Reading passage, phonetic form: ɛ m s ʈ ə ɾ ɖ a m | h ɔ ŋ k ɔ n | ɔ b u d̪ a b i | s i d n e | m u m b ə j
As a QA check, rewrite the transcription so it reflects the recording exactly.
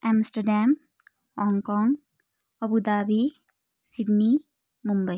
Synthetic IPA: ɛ m s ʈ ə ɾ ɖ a m | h ɔ ŋ k ɔ ŋ | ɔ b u d̪ a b i | s i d n i | m u m b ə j